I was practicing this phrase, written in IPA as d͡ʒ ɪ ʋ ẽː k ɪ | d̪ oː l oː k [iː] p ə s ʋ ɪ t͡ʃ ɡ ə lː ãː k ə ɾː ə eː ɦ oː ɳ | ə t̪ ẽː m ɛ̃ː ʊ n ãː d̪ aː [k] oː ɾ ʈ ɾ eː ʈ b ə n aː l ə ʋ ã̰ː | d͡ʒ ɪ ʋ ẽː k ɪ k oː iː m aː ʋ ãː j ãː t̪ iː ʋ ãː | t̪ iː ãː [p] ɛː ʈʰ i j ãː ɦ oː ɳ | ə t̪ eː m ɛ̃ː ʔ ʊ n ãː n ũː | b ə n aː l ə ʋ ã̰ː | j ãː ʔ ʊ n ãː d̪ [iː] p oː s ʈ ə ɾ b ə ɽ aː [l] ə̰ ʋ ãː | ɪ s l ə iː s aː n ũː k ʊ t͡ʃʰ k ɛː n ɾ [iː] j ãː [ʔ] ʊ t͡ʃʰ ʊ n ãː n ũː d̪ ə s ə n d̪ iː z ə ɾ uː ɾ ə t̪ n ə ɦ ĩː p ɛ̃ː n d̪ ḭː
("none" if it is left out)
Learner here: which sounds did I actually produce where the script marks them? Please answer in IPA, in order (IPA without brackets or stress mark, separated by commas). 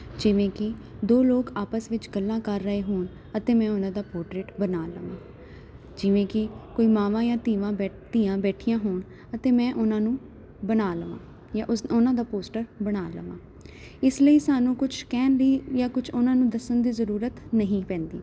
aː, p, b, aː, l, iː, k